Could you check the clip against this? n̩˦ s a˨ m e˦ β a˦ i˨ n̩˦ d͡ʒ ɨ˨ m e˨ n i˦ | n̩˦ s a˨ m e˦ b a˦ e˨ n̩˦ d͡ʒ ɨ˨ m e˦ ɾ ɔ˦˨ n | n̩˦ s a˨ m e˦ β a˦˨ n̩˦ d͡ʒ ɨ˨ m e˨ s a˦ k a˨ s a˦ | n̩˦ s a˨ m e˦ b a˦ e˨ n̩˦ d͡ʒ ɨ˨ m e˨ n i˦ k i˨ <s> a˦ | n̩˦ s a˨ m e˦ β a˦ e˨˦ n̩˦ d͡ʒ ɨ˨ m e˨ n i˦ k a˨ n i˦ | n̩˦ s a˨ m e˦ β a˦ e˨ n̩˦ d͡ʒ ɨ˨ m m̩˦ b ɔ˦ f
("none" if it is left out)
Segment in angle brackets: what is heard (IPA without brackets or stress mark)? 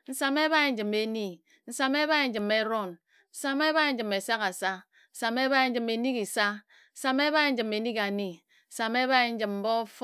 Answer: s